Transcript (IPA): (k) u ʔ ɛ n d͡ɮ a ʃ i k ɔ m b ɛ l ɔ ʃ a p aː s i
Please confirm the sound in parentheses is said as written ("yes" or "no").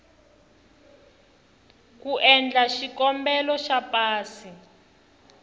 yes